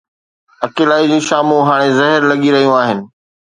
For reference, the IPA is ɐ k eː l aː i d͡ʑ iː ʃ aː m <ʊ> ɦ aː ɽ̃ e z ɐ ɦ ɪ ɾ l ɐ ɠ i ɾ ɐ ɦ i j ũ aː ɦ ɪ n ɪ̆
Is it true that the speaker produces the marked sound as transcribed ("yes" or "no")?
no